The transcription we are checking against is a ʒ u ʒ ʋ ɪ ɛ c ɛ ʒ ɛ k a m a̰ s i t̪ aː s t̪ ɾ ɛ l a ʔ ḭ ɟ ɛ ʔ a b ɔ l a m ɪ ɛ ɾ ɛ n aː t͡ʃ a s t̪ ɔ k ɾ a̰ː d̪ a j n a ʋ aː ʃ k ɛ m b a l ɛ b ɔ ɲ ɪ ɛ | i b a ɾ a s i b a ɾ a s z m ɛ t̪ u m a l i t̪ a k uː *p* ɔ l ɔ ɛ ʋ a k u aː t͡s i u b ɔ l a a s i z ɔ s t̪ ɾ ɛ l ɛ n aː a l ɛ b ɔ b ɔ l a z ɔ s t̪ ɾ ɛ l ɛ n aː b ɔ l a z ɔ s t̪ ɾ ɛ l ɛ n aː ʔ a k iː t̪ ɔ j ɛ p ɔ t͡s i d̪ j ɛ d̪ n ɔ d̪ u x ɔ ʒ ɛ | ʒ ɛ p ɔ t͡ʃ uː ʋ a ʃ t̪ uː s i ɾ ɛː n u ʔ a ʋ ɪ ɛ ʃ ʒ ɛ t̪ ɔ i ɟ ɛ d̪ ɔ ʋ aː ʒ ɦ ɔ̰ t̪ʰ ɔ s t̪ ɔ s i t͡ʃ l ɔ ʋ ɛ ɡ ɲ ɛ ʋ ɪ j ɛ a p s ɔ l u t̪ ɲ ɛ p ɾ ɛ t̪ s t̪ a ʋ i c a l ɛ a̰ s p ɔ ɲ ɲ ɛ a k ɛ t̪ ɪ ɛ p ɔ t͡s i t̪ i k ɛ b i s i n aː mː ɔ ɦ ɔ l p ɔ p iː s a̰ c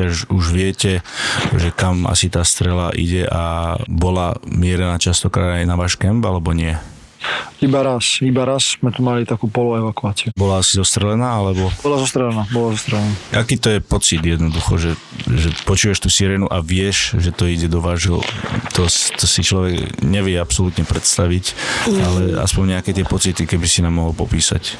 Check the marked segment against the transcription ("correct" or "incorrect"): correct